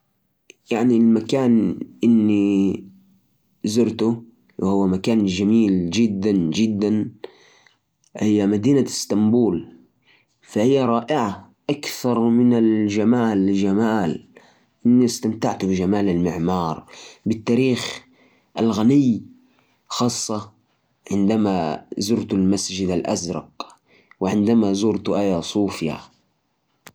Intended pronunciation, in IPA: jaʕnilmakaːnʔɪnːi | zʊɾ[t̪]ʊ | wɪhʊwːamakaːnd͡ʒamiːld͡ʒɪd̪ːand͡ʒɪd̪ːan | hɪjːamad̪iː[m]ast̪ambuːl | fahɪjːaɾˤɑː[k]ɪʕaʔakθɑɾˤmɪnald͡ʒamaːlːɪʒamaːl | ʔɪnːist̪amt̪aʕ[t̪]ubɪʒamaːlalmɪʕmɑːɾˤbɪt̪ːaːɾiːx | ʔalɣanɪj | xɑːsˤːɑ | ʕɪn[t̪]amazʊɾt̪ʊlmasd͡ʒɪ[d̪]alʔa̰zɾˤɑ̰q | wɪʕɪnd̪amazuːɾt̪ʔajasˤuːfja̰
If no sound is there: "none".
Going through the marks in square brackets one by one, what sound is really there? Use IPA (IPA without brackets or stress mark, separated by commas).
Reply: t̪, n, ʔ, t̪, d̪, d̪